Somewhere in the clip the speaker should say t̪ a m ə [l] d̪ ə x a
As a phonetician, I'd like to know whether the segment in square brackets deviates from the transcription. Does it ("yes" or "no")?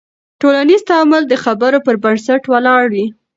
no